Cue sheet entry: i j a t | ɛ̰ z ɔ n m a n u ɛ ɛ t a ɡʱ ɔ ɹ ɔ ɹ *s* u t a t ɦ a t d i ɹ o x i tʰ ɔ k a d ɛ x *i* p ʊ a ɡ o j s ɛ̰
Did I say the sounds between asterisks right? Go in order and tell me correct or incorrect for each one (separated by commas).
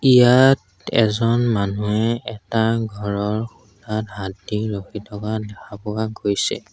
incorrect, incorrect